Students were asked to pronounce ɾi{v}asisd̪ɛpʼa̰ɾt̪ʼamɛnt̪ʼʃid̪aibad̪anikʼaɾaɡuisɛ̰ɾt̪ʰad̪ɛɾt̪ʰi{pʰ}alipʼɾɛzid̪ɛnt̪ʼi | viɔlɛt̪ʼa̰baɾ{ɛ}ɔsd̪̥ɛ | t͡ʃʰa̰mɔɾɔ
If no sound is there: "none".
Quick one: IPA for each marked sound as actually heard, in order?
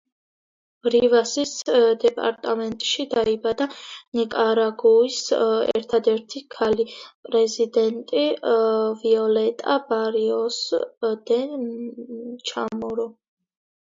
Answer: v, kʰ, i

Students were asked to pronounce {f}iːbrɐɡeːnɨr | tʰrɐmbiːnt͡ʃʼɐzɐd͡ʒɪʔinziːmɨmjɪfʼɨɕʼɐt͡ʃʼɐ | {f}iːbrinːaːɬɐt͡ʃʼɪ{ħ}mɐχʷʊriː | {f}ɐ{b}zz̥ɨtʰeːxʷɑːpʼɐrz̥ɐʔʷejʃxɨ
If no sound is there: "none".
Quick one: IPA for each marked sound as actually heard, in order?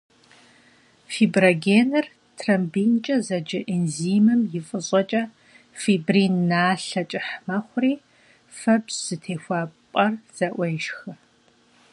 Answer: f, f, ħ, f, b

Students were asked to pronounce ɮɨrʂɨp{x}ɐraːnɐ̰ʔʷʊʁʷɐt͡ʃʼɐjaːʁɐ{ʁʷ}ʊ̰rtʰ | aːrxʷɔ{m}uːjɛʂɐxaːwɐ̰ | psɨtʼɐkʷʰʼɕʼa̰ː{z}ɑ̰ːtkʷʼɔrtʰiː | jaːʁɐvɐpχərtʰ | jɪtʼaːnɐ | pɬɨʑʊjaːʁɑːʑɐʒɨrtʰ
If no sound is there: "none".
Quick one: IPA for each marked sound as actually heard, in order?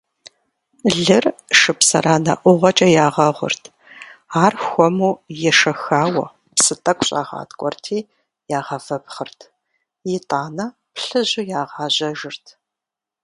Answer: s, ʁʷ, m, ʁ

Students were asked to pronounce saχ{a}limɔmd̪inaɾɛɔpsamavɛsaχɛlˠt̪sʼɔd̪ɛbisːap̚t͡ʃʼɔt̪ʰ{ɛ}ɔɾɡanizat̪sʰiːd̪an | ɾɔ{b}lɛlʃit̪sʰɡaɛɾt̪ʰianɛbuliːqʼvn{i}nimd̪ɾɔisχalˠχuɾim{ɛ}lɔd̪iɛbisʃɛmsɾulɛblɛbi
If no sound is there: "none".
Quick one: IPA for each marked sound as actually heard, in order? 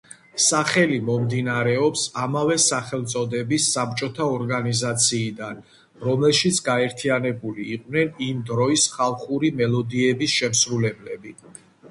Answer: ɛ, a, m, ɛ, ɛ

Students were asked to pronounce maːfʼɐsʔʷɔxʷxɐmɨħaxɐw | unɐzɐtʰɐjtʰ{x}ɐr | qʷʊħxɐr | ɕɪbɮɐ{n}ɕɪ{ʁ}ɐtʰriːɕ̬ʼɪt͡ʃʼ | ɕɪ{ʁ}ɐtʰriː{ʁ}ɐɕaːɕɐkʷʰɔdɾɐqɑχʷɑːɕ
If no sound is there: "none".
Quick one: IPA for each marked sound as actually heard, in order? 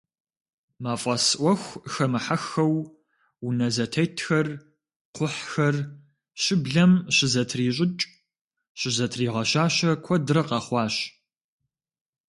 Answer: x, m, z, z, ʁ

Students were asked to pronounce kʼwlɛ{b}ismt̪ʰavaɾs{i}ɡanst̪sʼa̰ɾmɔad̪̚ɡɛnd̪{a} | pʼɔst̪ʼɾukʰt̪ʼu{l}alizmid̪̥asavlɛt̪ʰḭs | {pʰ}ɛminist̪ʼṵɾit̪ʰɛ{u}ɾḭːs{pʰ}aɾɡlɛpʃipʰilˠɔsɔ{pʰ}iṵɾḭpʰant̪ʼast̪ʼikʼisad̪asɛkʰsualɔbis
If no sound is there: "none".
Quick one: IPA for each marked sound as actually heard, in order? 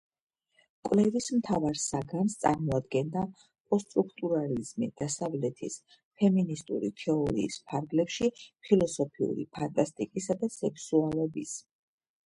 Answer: v, a, a, ɾ, pʰ, ɔ, pʰ, pʰ

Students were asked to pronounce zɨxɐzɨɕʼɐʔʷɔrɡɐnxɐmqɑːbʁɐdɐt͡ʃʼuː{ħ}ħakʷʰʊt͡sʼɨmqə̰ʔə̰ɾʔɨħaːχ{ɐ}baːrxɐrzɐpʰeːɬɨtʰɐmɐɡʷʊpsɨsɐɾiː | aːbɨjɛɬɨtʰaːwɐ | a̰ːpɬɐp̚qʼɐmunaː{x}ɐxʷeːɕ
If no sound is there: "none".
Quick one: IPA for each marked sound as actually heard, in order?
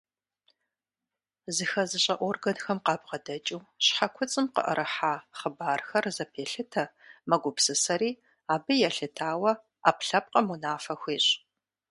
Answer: ɕ, ə, f

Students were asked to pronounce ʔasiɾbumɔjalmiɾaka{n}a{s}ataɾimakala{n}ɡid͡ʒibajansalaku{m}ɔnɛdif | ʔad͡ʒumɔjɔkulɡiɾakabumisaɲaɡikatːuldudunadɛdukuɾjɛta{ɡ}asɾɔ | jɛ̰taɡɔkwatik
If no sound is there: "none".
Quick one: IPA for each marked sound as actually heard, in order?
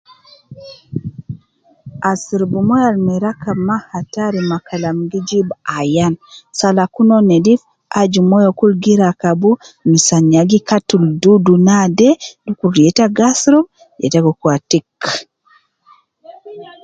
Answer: m, h, m, n, ɡ

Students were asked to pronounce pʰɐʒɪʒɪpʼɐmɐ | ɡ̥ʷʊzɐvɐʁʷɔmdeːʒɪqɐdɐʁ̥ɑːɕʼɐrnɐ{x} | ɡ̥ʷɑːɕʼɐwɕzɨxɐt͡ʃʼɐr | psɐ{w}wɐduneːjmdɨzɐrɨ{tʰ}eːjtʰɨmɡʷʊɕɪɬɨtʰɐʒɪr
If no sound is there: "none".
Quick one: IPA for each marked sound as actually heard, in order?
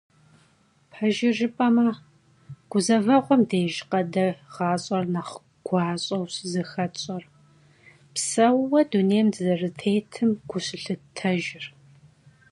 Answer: χ, w, tʰ

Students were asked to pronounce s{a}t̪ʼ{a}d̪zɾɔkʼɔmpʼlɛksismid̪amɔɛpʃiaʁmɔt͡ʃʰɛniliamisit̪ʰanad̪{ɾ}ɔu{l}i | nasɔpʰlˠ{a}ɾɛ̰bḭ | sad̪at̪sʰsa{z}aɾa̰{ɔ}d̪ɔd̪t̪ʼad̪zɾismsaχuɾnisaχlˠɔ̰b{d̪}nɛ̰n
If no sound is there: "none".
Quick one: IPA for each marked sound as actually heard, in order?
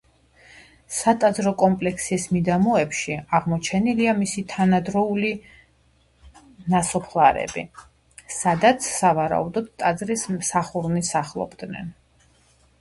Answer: a, a, ɾ, l, a, v, u, d̪

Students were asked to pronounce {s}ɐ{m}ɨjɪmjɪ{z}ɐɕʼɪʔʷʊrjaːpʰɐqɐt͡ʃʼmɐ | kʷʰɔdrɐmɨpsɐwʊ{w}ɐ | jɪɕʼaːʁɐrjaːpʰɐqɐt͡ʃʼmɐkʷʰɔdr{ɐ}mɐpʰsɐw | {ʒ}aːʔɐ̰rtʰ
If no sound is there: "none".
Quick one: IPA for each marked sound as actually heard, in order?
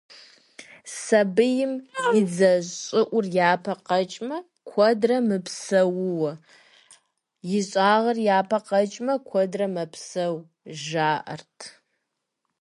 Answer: s, b, d͡z, w, ɐ, ʒ

